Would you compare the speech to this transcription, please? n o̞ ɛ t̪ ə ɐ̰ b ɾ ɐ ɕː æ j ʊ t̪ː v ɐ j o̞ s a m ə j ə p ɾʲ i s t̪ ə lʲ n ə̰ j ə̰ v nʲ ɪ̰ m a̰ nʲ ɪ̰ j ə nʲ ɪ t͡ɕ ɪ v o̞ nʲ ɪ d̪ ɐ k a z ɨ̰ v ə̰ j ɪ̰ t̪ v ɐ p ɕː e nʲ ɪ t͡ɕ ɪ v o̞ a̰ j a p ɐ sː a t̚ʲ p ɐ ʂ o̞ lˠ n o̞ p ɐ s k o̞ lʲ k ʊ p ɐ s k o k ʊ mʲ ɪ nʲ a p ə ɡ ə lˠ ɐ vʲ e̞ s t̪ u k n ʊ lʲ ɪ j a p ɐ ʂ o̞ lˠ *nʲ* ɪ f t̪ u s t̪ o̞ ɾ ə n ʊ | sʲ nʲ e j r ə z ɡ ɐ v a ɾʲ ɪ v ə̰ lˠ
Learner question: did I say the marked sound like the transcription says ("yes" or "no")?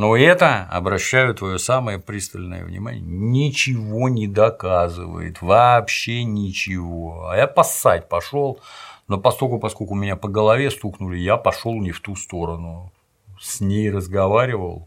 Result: yes